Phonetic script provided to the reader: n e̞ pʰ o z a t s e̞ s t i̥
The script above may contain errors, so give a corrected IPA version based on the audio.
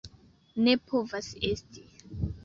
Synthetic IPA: n e̞ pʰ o v a s e̞ s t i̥